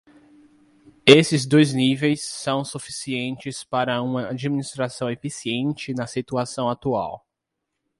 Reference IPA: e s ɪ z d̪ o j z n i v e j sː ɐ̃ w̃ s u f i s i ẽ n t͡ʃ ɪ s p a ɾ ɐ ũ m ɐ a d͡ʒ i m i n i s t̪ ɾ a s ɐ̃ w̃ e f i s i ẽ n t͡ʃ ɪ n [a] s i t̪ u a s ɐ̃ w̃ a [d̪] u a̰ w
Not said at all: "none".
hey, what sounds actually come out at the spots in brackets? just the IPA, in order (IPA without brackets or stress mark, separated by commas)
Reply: ɐ, t̪